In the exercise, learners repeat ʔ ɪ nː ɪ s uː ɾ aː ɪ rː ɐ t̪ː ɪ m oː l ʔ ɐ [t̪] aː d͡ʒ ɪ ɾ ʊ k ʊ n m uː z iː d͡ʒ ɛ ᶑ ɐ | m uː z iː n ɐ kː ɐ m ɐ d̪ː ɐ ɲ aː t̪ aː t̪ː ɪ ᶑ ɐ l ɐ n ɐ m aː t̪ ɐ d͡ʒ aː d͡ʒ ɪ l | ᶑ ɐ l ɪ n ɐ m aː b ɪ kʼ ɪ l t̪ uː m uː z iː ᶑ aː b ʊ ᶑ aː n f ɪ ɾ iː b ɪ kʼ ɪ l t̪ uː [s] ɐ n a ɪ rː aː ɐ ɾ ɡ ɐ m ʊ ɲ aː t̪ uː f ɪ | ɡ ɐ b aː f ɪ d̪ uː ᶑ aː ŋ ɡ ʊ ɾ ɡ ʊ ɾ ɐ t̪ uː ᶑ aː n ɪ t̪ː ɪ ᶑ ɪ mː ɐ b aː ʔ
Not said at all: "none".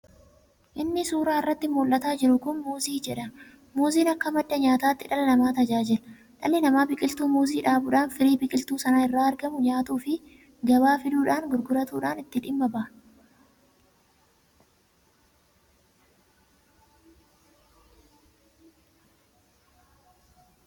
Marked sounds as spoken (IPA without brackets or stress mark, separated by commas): t̪, s